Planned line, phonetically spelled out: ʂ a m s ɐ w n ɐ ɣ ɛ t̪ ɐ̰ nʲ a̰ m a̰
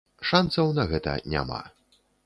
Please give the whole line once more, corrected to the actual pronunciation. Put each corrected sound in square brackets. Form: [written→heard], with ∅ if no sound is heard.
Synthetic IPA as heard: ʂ a [m→n] s ɐ w n ɐ ɣ ɛ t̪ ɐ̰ nʲ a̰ m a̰